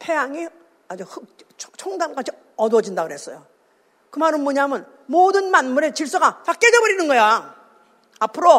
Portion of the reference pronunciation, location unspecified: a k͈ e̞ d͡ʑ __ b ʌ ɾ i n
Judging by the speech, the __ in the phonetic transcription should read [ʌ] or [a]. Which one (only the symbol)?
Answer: ʌ